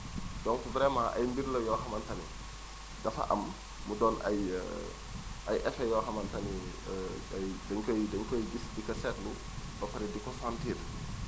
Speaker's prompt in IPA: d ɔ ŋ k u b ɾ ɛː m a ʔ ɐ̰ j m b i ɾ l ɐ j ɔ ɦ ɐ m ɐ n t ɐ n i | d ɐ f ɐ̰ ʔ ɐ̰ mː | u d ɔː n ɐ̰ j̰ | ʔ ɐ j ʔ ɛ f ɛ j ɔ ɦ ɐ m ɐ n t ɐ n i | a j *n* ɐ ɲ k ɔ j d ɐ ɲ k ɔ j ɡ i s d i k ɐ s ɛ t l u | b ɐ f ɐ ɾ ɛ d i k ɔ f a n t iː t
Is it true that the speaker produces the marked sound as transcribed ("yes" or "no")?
no